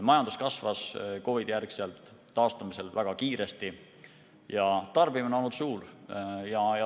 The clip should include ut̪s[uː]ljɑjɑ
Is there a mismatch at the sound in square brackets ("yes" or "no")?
no